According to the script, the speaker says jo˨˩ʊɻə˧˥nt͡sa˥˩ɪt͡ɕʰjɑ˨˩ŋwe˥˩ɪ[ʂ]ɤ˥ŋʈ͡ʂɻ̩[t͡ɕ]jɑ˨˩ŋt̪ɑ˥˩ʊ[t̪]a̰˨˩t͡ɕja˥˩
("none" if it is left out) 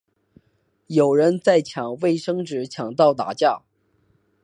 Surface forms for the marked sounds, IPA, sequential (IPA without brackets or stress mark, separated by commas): ʂ, t͡ɕʰ, t̪